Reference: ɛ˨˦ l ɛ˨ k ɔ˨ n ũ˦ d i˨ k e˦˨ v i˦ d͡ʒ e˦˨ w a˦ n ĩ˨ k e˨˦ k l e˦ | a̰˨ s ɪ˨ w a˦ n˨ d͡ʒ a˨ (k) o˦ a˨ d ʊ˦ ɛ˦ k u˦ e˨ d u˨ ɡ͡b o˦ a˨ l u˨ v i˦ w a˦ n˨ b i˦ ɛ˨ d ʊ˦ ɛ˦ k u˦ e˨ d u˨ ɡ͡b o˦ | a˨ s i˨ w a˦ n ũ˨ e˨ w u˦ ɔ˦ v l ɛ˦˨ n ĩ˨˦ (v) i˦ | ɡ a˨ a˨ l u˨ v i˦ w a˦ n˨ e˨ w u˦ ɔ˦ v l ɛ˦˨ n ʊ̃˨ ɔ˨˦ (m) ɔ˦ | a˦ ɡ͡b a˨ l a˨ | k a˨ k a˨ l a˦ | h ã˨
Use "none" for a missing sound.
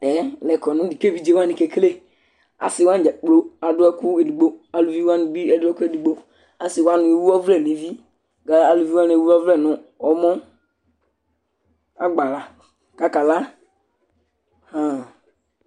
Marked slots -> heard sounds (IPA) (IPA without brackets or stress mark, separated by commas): k͡p, v, m